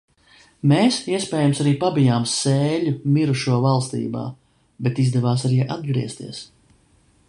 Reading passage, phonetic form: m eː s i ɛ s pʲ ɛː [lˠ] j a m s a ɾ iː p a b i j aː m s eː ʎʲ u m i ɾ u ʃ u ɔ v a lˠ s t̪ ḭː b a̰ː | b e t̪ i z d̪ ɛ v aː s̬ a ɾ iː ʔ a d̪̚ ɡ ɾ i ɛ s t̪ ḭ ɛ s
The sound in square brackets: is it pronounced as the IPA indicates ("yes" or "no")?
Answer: no